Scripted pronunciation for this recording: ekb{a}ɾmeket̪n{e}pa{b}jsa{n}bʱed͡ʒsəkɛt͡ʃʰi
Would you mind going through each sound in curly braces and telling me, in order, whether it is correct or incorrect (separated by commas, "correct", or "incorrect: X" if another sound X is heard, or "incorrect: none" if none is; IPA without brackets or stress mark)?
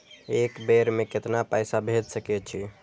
incorrect: e, incorrect: a, incorrect: none, incorrect: none